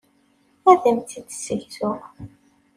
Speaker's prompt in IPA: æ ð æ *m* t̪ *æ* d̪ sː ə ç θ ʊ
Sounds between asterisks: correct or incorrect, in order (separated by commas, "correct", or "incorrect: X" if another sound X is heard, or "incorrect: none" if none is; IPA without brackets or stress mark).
correct, incorrect: i